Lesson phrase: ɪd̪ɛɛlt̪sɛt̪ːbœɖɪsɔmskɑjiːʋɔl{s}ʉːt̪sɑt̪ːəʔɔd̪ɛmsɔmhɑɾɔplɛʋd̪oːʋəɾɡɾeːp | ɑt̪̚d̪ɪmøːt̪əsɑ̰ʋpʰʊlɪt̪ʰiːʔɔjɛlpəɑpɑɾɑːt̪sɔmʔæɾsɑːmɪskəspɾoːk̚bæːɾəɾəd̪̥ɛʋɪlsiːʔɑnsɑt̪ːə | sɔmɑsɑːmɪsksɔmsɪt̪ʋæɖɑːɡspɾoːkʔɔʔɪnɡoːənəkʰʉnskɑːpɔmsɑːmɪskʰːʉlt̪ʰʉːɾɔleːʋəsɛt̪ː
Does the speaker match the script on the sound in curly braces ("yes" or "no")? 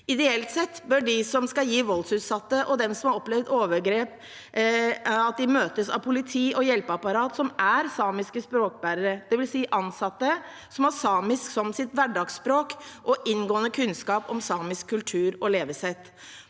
yes